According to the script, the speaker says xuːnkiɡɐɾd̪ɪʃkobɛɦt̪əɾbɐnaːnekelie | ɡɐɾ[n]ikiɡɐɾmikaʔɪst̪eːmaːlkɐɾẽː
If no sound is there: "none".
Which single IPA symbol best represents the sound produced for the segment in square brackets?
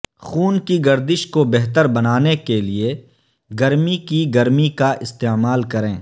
m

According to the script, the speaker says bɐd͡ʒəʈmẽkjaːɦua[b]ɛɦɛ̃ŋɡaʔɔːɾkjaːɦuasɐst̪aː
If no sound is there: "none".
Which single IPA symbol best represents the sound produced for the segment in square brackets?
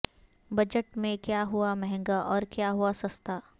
m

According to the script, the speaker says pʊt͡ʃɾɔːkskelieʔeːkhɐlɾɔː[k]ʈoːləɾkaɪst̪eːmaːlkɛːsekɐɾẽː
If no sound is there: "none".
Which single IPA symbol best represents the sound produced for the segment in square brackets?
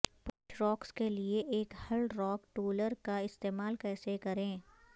k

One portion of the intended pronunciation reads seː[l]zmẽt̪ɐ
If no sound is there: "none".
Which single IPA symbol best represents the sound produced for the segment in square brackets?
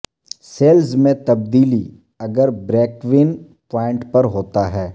l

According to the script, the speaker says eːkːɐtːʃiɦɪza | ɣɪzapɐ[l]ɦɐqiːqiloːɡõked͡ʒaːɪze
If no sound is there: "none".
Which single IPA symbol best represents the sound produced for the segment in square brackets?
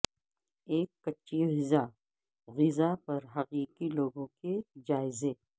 ɾ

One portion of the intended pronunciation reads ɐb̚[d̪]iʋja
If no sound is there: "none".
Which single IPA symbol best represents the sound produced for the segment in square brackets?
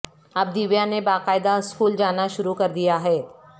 d̪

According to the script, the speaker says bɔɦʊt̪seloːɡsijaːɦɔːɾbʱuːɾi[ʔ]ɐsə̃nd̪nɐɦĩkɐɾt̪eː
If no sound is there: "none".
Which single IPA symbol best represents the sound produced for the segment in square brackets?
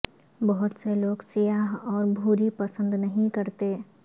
p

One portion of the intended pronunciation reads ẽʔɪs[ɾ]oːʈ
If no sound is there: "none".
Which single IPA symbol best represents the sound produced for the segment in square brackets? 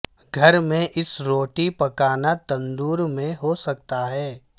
ɾ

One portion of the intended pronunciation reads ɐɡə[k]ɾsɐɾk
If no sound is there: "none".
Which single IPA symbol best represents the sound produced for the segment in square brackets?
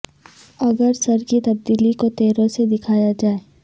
none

